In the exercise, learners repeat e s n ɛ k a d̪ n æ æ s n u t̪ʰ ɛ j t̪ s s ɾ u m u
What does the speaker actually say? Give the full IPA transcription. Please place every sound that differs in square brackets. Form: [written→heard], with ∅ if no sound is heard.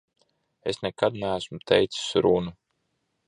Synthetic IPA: e s n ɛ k a d̪ n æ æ s [n→m] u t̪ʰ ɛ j t̪ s s ɾ u [m→n] u